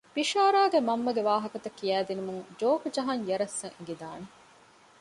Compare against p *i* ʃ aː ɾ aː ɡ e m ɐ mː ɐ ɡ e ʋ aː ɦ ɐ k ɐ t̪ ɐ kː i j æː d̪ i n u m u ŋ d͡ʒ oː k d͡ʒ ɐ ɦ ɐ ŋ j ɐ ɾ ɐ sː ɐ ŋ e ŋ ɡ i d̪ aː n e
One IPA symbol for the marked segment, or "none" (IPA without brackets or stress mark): i